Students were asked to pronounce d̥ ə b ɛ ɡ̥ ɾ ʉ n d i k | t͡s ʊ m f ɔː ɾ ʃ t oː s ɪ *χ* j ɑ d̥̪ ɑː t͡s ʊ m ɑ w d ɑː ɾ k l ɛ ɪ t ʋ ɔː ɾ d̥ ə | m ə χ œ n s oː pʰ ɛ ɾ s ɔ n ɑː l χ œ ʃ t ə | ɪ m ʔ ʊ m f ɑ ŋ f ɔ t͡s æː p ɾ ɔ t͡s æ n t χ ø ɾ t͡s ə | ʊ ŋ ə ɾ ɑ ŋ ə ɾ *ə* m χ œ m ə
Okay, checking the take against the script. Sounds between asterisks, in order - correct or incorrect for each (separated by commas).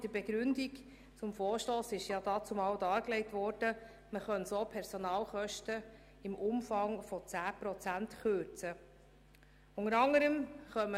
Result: incorrect, correct